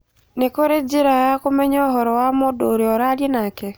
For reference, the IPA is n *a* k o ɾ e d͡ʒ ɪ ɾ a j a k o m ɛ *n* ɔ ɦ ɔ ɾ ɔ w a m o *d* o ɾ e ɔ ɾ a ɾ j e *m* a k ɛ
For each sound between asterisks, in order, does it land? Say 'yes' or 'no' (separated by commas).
no, no, yes, no